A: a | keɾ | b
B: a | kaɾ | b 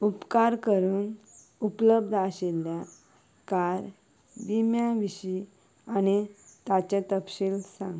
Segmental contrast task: B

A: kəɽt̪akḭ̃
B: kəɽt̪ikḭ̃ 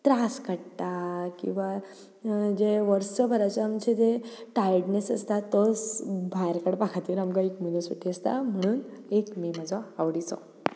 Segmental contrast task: A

